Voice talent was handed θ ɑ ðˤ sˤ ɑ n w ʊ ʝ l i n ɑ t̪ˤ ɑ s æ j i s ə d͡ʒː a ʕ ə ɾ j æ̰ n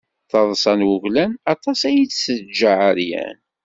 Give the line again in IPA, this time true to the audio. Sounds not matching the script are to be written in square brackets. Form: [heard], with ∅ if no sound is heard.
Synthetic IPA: θ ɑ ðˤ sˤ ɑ n w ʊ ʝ l [æ] n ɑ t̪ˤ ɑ s æ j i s ə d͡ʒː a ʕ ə ɾ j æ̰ n